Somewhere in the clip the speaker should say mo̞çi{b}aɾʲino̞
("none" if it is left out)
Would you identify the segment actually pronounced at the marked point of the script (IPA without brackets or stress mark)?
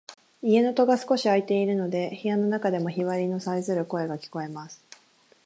β